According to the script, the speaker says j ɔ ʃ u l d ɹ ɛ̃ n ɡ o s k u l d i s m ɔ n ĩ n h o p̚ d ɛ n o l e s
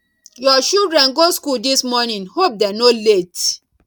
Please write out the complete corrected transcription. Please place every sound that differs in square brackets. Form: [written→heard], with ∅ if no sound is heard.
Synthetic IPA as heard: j ɔ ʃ u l d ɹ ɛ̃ n ɡ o s k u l d i s m ɔ n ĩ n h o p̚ d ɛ n o l e [s→t]